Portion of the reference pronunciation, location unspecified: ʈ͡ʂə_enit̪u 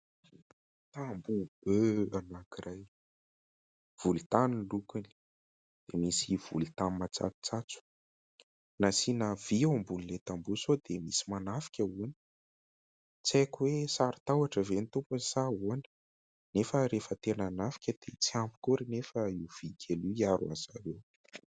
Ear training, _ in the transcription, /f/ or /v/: v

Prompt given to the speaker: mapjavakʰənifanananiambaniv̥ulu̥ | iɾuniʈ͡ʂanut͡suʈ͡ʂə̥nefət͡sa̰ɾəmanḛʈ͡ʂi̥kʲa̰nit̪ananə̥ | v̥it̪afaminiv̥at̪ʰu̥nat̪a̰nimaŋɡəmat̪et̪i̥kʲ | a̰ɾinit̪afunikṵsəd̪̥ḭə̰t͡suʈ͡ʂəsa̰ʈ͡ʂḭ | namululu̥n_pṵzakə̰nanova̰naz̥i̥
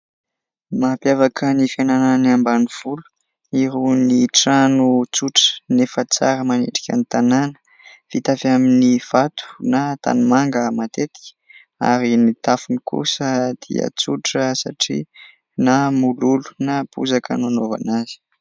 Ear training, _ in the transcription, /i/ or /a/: a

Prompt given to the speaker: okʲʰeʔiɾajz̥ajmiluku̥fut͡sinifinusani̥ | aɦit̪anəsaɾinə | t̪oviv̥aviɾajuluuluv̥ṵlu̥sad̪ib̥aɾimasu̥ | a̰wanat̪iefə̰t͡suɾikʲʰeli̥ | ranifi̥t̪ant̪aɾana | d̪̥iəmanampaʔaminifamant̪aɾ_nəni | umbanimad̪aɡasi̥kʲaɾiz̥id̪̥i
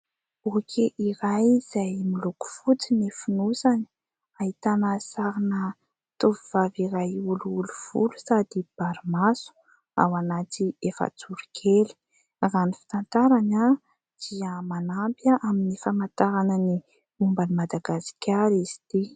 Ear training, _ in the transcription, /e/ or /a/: a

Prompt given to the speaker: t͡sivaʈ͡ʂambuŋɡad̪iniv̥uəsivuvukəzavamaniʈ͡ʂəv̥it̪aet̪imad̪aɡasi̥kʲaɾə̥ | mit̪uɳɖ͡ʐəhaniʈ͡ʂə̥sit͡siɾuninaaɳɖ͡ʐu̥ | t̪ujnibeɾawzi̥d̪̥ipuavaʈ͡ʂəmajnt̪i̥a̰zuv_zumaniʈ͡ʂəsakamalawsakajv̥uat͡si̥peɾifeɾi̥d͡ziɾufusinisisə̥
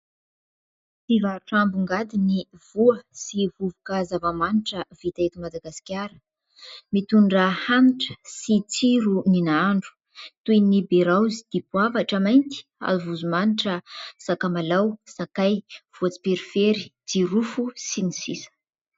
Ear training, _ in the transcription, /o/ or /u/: u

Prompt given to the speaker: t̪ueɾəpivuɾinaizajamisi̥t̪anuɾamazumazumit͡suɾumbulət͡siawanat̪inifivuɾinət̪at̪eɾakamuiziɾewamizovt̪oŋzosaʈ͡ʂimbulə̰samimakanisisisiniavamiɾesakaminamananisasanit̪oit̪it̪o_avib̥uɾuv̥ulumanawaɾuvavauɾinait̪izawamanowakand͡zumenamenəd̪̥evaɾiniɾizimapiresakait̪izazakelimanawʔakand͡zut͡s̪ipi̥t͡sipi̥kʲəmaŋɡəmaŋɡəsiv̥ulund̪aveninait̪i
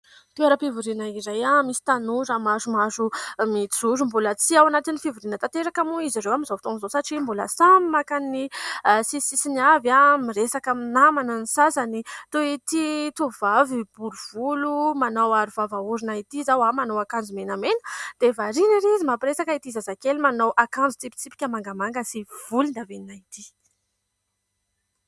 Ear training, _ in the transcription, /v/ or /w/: v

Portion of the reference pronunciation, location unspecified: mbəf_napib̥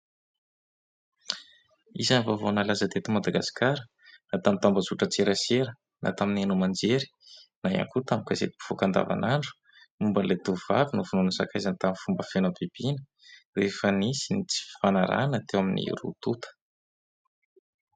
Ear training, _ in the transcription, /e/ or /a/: e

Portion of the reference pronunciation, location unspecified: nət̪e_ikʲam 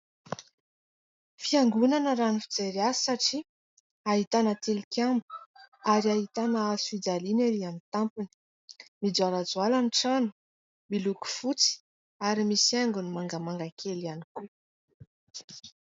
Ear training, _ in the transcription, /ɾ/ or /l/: l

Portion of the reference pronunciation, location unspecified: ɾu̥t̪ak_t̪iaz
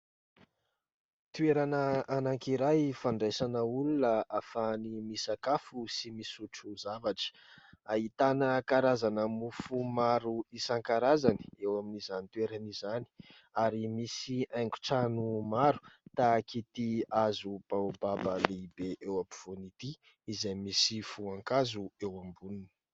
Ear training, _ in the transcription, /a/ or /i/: i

